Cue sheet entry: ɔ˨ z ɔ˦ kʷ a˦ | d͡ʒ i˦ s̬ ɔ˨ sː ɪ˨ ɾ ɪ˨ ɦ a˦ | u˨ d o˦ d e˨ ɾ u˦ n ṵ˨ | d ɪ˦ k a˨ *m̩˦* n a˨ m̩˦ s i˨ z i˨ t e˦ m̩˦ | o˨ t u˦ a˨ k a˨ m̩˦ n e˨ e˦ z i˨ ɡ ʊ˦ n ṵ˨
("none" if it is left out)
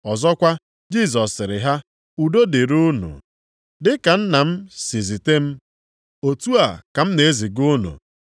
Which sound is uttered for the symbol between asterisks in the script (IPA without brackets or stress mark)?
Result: n̩˦